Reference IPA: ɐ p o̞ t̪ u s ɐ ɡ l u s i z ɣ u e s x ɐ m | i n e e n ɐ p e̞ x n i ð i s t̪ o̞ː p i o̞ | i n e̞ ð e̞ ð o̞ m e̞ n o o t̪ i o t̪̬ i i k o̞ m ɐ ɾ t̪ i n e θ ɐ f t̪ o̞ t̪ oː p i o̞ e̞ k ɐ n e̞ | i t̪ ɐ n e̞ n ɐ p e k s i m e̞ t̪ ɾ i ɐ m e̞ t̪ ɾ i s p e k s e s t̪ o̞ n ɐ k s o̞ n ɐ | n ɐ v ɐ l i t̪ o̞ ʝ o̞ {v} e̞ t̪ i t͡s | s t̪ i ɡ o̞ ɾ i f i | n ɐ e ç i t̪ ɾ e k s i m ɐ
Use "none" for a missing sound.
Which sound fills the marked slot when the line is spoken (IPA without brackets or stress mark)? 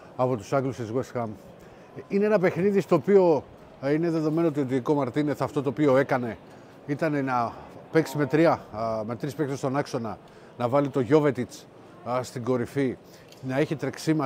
v